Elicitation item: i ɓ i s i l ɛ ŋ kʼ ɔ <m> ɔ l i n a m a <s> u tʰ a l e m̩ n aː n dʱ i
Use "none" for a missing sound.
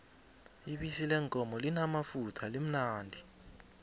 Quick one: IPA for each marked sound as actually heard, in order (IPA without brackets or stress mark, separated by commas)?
m, f